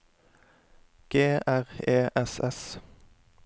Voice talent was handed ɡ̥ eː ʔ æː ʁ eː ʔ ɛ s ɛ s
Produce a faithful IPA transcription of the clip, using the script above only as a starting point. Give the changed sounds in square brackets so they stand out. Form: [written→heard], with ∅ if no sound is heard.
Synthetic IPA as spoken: ɡ̥ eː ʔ [æː→æ] ʁ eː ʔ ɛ s ɛ s